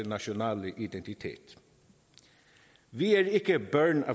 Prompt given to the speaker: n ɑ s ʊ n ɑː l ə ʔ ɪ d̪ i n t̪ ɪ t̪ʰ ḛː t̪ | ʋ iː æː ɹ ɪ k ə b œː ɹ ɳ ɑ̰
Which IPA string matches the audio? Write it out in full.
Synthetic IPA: n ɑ ʃ ʊ n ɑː l ə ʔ ɪ d̪ ɛ n t̪ ɪ t̪ʰ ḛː t̪ | ʋ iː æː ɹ ɪ k ə b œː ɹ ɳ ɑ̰

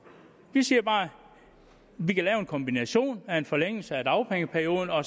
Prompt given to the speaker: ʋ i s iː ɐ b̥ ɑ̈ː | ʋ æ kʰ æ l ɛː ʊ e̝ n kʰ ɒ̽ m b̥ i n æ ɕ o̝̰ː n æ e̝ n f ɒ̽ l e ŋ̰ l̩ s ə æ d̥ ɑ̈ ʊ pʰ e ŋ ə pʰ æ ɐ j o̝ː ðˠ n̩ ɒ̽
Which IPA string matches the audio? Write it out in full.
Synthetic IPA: ʋ i s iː ɐ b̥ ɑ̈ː | ʋ i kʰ æ l ɛː ʊ e̝ n kʰ ɒ̽ m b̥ i n æ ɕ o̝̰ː n æ e̝ n f ɒ̽ l e ŋ̰ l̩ s ə æ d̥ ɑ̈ ʊ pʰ e ŋ ə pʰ æ ɐ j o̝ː ðˠ n̩ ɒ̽

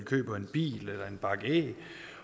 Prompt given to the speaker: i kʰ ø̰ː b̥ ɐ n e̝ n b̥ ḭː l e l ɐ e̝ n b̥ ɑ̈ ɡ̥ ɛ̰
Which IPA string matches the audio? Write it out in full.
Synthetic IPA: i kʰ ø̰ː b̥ ɐ e̝ n b̥ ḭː l e l ɐ e̝ n b̥ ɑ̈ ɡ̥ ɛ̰

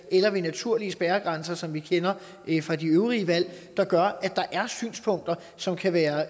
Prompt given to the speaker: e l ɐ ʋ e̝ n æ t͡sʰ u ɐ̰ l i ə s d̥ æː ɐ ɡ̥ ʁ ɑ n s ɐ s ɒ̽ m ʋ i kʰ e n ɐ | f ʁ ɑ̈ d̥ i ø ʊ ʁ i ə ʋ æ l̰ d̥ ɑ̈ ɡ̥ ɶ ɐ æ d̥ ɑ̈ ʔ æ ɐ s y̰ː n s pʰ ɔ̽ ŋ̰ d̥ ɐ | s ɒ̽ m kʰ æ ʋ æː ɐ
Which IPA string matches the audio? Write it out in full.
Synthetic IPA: e l ɐ ʋ e̝ n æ t͡sʰ u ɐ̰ l i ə s b̥ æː ɐ ɡ̥ ʁ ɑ n s ɐ s ɒ̽ m ʋ i kʰ e n ɐ | f ʁ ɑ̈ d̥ i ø ʊ ʁ i ə ʋ æ l̰ d̥ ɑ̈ ɡ̥ ɶ ɐ æ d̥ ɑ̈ ʔ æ ɐ s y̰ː n s pʰ ɔ̽ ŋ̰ d̥ ɐ | s ɒ̽ m kʰ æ ʋ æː ɐ

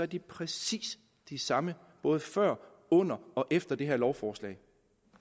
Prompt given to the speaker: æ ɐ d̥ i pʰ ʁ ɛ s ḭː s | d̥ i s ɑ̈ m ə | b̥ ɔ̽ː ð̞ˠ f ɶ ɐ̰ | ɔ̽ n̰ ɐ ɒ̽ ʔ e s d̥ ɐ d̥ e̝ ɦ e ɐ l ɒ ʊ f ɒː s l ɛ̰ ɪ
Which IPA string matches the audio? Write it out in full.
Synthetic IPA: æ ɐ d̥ i pʰ ʁ ɛ s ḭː s | d̥ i s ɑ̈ m ə | b̥ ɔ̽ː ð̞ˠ f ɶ ɐ̰ | ɔ̽ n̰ ɐ ɒ̽ ʔ e f d̥ ɐ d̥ e̝ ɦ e ɐ l ɒ ʊ f ɒː s l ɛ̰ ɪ

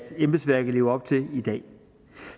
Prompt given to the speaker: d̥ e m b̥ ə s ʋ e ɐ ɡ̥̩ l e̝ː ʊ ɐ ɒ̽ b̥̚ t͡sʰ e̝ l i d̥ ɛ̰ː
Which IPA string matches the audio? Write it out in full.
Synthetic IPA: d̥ e m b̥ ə s ʋ æ ɐ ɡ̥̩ l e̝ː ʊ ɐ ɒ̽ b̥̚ t͡sʰ e̝ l i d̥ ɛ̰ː

